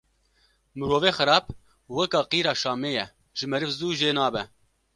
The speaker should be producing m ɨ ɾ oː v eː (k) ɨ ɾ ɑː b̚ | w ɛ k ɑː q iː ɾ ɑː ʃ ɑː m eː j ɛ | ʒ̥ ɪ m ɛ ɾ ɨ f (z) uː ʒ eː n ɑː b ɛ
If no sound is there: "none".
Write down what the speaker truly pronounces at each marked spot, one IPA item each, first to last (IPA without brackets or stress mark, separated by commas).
x, z